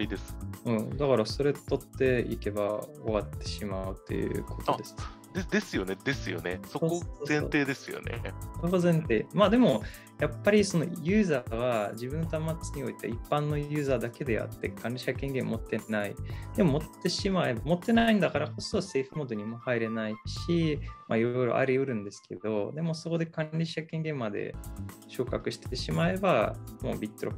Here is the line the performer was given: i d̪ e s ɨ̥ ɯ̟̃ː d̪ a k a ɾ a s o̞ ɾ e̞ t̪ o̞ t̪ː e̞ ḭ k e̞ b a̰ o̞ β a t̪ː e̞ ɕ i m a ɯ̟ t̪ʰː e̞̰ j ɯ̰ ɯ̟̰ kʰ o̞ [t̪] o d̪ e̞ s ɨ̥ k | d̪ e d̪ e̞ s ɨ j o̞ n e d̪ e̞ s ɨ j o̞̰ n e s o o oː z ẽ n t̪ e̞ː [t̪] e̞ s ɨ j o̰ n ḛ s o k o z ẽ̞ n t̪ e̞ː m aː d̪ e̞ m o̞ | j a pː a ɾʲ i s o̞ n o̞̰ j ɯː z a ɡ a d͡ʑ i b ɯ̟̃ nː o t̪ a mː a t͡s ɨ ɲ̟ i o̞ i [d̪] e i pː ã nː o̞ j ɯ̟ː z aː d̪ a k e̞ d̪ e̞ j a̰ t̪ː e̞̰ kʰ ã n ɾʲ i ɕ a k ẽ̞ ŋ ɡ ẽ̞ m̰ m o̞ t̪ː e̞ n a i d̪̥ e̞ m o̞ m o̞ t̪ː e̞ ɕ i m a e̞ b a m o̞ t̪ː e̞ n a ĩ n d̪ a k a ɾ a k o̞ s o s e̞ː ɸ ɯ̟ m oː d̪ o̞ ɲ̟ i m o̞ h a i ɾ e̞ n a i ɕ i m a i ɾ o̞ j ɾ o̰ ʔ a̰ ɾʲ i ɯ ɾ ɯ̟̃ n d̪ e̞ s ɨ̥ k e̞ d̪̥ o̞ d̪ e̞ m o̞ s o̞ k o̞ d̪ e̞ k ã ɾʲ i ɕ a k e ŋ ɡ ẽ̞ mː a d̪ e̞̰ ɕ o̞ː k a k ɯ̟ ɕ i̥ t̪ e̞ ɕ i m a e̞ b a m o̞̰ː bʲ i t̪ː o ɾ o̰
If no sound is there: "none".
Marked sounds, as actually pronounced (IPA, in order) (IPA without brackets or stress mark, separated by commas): t̪, d̪, t̪